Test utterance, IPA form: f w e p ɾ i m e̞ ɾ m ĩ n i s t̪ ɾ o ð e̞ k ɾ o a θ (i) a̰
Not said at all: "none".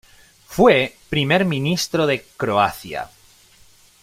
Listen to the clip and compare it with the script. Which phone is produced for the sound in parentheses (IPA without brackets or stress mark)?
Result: j